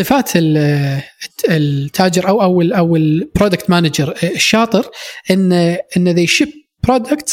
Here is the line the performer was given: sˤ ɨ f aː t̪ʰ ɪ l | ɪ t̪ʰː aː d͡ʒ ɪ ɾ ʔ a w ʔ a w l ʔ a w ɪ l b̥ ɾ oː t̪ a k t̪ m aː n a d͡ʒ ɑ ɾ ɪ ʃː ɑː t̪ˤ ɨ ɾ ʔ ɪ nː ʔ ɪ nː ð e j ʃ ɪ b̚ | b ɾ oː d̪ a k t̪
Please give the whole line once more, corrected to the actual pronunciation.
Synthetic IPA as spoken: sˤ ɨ f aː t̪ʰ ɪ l | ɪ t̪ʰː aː d͡ʒ ɪ ɾ ʔ a w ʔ a w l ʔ a w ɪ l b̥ ɾ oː d̪ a k t̪ m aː n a d͡ʒ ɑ ɾ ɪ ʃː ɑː t̪ˤ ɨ ɾ ʔ ɪ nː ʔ ɪ nː ð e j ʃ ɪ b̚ | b ɾ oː d̪ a k t̪